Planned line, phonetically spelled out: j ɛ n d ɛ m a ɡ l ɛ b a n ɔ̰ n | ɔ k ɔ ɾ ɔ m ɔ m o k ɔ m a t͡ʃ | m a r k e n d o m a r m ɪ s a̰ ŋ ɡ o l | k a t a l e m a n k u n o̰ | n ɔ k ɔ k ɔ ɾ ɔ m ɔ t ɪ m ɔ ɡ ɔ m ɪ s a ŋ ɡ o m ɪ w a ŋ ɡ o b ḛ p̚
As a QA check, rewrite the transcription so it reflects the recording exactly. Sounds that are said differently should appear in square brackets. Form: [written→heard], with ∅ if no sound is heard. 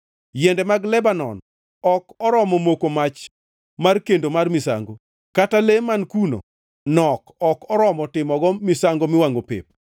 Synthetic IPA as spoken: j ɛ n d ɛ m a ɡ l ɛ b a n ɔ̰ n | ɔ k ɔ ɾ ɔ m ɔ m o k [ɔ→o] m a t͡ʃ | m a r k e n d o m a r m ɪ s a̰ ŋ ɡ o [l→∅] | k a t a l e m a n k u n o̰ | n ɔ k ɔ k ɔ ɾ ɔ m ɔ t ɪ m ɔ ɡ ɔ m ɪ s a ŋ ɡ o m ɪ w a ŋ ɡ o [b→p] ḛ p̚